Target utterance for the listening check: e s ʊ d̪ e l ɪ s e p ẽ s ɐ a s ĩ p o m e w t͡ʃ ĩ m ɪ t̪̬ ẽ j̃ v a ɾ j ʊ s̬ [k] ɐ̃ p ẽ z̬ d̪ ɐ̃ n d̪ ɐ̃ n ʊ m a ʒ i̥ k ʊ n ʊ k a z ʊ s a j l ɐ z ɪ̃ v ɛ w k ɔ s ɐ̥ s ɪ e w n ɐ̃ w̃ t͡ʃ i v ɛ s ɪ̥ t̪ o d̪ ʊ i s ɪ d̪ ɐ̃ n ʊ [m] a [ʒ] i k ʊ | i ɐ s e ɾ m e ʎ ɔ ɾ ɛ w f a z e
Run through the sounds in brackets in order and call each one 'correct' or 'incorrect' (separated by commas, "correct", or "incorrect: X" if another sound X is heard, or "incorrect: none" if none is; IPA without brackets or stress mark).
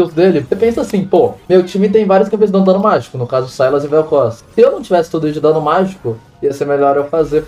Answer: correct, correct, correct